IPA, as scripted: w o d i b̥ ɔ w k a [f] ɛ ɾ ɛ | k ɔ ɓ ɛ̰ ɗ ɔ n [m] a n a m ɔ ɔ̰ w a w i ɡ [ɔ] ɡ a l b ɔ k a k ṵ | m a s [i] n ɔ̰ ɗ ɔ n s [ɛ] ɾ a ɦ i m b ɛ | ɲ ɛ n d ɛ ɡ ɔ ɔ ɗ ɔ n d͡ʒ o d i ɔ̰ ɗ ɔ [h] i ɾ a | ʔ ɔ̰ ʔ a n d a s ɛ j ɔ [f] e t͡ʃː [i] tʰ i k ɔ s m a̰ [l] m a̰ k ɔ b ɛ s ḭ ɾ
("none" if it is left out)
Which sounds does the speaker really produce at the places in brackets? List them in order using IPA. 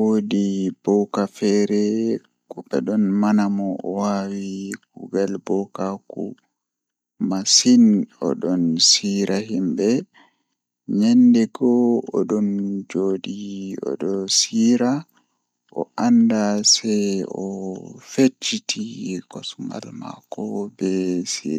f, m, u, i, i, s, f, i, l

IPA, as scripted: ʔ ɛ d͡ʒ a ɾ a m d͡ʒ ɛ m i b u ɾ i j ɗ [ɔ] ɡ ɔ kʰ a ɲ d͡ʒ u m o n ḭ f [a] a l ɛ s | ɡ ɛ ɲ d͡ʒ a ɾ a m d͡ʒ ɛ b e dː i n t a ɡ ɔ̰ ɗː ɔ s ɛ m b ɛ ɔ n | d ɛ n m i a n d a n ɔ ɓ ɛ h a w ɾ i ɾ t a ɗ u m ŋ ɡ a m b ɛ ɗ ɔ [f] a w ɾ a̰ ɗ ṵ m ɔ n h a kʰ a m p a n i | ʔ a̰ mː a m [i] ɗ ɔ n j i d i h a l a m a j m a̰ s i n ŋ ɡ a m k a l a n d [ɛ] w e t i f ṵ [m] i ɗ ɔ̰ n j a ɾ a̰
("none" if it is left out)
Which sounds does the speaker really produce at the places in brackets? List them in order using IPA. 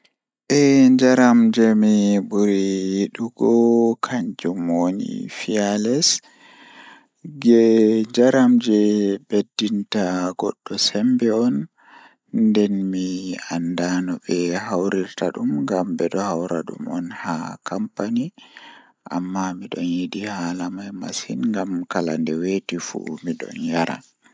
u, i, h, i, ɛ, m

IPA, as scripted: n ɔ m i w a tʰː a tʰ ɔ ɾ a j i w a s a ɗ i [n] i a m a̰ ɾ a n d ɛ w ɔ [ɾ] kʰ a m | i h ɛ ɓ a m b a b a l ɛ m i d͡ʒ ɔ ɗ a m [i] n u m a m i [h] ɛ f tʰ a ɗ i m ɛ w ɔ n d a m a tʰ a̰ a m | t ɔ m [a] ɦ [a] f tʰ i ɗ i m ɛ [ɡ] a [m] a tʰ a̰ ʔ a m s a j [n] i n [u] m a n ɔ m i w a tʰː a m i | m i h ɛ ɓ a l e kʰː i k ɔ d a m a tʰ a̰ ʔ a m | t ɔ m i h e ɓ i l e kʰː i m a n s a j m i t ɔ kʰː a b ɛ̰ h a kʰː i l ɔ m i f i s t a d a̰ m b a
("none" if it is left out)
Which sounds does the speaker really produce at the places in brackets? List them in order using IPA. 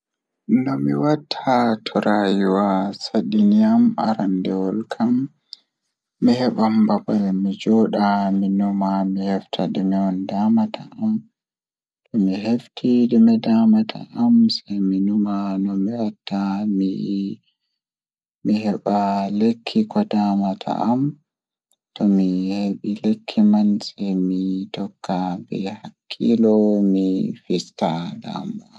n, l, i, h, i, e, d, m, m, u

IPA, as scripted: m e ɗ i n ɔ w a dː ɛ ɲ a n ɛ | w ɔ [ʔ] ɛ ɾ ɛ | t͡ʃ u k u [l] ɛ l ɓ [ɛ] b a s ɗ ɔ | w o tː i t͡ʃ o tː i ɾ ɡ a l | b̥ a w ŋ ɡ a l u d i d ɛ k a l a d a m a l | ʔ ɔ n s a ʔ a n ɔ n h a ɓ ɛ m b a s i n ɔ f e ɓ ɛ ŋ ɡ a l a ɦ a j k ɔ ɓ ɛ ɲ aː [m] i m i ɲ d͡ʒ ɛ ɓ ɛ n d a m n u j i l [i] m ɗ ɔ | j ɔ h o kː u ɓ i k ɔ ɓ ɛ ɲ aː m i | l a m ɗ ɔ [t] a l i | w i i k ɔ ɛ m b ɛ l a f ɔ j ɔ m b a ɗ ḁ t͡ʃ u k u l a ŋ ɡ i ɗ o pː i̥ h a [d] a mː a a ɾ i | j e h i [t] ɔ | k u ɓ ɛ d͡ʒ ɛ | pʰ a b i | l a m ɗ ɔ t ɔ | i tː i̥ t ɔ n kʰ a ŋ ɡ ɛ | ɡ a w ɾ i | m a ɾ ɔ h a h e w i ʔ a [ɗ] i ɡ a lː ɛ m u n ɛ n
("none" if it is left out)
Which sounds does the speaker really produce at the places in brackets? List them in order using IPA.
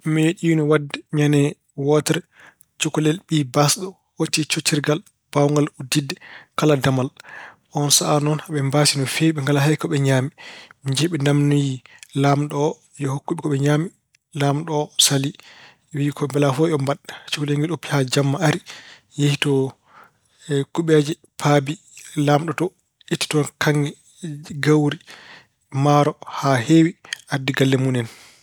t, l, i, m, a, s, d͡ʒ, t, d

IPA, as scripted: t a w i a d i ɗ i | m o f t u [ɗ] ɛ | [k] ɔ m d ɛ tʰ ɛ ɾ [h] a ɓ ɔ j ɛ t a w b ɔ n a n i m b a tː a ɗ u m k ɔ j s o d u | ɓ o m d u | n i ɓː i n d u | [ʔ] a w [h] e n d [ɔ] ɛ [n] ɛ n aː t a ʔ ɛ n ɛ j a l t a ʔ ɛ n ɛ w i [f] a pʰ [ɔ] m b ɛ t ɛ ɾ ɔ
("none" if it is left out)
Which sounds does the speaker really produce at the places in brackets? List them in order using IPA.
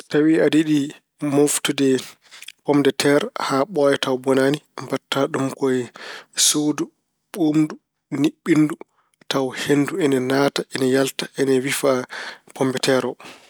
d, p, h, t, h, u, n, f, ɔ

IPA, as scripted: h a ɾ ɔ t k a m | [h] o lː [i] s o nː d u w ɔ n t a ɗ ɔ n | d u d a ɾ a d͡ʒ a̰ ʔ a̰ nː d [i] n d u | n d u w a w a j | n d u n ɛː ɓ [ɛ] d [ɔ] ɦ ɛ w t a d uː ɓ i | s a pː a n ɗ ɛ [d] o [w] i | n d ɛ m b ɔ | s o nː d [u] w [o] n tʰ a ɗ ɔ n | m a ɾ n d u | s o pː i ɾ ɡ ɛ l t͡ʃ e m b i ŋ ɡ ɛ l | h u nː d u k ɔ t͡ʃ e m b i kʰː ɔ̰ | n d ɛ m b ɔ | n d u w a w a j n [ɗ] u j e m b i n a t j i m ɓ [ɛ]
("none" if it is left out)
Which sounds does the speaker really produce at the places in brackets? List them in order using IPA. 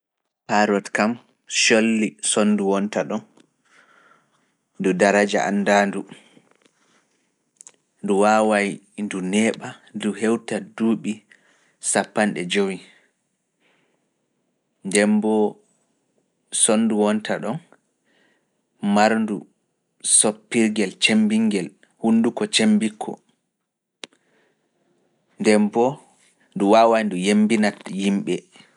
ʃ, i, a, a, u, d͡ʒ, w, u, ɔ, d, ɛ

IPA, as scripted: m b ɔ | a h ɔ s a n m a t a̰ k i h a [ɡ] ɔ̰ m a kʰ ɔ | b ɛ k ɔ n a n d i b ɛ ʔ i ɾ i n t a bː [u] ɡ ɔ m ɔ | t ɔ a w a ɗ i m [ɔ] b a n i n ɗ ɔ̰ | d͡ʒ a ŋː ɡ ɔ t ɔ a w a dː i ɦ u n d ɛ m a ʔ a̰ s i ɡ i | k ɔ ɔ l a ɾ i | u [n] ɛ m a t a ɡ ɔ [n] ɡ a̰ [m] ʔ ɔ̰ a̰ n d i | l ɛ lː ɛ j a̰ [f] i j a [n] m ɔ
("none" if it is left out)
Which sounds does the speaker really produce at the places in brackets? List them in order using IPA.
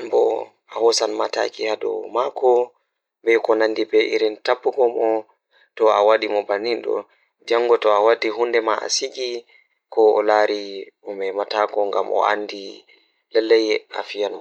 d, u, ɔ, m, ŋ, m, f, n

